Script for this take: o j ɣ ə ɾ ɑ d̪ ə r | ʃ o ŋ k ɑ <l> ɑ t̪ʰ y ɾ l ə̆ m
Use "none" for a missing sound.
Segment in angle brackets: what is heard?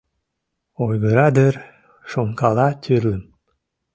l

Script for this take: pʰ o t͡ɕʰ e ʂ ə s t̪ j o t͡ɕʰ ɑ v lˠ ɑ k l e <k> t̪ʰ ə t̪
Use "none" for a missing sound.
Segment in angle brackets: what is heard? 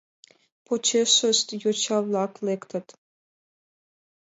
k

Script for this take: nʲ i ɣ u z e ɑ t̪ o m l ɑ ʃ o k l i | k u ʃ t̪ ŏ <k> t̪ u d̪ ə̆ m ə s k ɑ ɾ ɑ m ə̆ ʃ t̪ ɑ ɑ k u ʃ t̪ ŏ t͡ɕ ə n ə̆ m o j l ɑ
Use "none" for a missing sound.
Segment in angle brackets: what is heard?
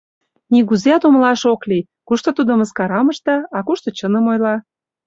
none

